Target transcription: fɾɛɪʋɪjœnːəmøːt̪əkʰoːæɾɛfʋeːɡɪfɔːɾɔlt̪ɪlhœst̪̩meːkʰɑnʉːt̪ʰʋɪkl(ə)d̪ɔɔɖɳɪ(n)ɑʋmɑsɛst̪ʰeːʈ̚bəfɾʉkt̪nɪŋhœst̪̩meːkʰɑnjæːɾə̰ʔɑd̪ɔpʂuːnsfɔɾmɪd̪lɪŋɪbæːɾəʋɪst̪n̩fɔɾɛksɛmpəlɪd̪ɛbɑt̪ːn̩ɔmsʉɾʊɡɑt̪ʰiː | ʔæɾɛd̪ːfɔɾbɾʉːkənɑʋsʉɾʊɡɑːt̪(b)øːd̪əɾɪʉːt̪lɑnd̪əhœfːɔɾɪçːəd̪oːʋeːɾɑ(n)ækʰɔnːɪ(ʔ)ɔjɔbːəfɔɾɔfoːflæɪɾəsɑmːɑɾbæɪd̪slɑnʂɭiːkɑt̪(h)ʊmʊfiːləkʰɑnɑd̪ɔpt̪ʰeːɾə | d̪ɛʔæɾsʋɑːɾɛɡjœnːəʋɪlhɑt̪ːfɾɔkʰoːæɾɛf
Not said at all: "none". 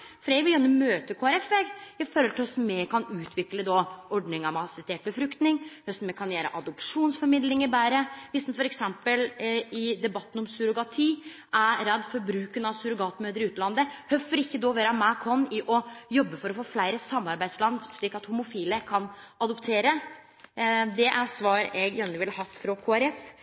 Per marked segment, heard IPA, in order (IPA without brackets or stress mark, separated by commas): ə, ŋ, m, m, ʔ, h